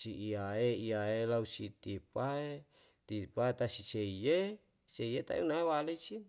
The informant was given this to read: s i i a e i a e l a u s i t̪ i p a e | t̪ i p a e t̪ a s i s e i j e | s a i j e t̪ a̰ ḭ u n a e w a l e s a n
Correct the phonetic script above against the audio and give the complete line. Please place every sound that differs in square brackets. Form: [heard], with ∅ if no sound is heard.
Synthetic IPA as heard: s i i a e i a e l a u s i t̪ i p a e | t̪ i p a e t̪ a s i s e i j e | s [e] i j e t̪ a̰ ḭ u n a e w a l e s [i] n